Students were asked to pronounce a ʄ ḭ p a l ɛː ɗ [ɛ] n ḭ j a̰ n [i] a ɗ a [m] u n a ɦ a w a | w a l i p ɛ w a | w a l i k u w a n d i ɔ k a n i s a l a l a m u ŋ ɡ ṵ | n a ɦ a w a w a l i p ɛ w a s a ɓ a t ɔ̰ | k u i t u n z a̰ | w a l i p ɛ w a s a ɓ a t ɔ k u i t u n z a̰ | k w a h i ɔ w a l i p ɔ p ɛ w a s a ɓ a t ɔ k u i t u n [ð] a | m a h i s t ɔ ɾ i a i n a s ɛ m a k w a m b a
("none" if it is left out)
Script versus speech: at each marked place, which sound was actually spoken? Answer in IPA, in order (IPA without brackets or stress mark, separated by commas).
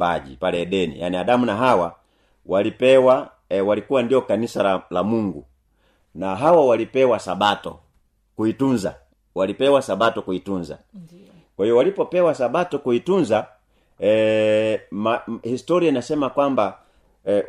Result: ɛ, i, m, z